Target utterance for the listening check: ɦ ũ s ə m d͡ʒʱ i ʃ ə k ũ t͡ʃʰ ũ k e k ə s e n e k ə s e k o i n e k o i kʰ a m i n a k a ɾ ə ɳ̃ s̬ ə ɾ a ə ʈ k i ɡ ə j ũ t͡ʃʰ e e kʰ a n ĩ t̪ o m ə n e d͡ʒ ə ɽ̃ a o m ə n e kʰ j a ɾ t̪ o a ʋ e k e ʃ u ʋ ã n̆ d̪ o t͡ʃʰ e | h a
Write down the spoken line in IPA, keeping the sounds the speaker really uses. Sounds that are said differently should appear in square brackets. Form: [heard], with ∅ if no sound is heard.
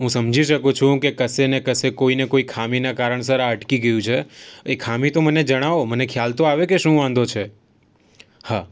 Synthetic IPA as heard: ɦ ũ s ə m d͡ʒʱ i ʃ ə k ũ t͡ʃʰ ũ k e k ə s e n e k ə s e k o i n e k o i kʰ a m i n a k a ɾ ə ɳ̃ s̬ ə ɾ a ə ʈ k i ɡ ə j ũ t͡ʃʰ e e kʰ a [m] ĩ t̪ o m ə n e d͡ʒ ə ɽ̃ a o m ə n e kʰ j a [l] t̪ o a ʋ e k e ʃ [ũ] ʋ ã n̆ d̪ o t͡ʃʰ e | h a